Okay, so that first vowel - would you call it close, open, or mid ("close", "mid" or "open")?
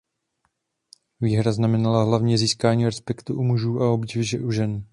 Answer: close